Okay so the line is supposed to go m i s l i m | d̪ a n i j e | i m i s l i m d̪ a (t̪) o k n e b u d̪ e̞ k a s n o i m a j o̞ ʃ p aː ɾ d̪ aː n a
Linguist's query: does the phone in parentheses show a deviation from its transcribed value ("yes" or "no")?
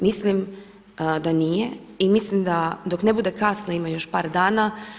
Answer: yes